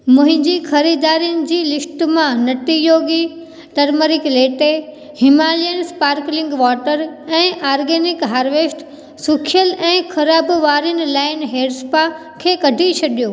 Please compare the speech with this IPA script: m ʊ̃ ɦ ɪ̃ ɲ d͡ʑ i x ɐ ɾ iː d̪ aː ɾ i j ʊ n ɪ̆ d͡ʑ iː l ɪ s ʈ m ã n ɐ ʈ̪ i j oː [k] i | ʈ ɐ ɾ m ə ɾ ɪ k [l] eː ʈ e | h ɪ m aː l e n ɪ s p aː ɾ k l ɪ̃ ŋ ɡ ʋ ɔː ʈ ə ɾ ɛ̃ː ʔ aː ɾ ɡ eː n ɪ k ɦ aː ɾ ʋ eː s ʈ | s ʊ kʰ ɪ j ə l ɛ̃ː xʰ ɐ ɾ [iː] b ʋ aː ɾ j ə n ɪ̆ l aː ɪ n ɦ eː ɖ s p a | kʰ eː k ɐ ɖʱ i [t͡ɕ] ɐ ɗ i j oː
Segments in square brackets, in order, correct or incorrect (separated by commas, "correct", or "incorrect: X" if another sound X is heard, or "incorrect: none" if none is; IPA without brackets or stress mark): incorrect: ɡ, correct, incorrect: aː, incorrect: t͡ɕʰ